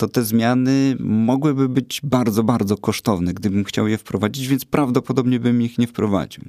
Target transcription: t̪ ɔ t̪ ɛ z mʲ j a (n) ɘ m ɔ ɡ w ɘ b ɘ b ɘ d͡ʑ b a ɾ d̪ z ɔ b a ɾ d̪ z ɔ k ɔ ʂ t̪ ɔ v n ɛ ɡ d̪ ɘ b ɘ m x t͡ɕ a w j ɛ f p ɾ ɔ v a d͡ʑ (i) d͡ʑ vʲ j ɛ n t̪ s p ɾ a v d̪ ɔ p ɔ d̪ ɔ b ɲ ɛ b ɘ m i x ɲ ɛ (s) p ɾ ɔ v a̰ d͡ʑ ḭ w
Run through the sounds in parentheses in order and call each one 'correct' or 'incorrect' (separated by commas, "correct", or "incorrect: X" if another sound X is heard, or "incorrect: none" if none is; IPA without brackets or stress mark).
correct, correct, incorrect: f